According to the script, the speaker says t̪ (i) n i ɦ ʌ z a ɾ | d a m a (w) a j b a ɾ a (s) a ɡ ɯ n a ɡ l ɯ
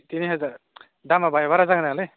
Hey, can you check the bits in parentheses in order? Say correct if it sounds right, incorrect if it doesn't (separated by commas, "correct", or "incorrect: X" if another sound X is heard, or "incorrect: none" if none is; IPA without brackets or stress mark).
correct, incorrect: b, incorrect: z